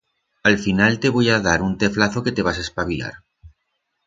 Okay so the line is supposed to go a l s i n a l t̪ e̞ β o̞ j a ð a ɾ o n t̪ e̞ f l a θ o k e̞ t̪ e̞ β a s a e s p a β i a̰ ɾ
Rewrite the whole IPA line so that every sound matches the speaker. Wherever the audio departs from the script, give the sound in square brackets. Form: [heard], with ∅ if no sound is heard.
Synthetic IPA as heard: a l [f] i n a l t̪ e̞ β o̞ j a ð a ɾ [u] n t̪ e̞ f l a θ o k e̞ t̪ e̞ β a s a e s p a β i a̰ ɾ